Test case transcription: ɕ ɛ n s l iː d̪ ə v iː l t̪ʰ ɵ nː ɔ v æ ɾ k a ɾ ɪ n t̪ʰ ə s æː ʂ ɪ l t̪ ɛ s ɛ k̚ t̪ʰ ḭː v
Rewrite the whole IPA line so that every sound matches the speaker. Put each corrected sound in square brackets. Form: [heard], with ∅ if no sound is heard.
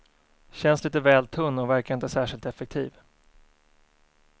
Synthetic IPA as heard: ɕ ɛ n s l iː [t̪] ə v [ɛː] l t̪ʰ ɵ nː ɔ v æ ɾ k a ɾ ɪ n [t̪] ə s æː ʂ ɪ l t̪ ɛ [f] ɛ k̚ t̪ʰ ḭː v